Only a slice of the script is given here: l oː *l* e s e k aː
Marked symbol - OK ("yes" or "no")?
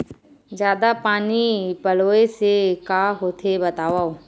no